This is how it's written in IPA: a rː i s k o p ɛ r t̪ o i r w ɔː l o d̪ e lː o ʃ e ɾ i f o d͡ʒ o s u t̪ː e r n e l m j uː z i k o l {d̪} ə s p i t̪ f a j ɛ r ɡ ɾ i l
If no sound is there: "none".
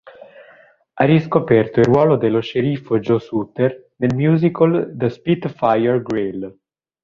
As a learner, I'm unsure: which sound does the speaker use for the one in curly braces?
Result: d̪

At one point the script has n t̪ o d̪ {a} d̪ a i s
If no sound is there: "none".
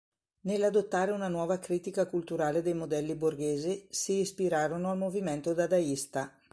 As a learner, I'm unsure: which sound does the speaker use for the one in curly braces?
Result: a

